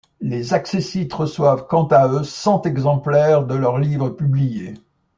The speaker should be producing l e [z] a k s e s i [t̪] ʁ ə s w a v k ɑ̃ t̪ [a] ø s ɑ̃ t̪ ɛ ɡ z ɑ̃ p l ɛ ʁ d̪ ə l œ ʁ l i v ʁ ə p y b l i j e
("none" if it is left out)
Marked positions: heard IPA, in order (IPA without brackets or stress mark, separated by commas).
z, t̪, a